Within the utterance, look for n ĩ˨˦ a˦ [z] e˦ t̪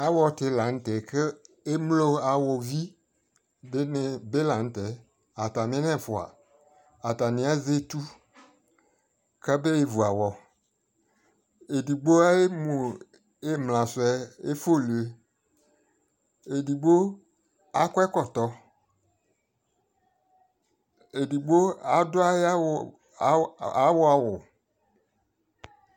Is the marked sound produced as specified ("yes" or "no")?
yes